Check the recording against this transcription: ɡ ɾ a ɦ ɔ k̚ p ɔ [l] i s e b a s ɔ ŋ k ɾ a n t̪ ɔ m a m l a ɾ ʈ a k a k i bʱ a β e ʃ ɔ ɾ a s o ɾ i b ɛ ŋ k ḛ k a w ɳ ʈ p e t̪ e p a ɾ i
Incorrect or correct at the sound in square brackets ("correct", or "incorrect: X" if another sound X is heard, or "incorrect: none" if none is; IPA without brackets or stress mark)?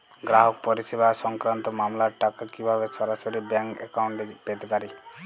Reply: incorrect: ɾ